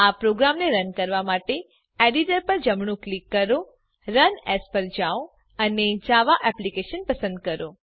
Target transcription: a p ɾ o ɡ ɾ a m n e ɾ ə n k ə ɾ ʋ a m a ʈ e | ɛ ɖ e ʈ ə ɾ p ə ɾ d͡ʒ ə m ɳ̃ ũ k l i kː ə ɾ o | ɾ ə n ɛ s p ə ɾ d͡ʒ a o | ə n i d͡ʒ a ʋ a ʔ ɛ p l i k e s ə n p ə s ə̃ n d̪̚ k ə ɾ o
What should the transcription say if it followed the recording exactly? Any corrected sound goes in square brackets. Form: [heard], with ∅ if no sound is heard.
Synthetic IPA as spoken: a p ɾ o ɡ ɾ a m n e ɾ ə n k ə ɾ ʋ a m a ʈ e | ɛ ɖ [i] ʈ ə ɾ p ə ɾ d͡ʒ ə m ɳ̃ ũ k l i kː ə ɾ o | ɾ ə n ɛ s p ə ɾ d͡ʒ a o | ə n [e] d͡ʒ a ʋ a ʔ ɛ p l i k e [ʃ] ə n p ə s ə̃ n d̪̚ k ə ɾ o